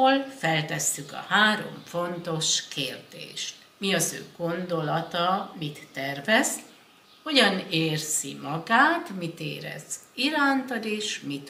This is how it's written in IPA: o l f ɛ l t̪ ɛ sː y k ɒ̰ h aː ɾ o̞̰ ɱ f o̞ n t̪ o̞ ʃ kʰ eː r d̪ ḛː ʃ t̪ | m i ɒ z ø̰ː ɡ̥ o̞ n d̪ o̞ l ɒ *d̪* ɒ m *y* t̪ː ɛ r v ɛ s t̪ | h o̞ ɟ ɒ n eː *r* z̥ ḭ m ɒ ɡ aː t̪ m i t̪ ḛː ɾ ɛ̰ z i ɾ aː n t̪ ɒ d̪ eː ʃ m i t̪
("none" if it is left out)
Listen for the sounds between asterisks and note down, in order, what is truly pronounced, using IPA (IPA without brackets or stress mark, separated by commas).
t̪, i, r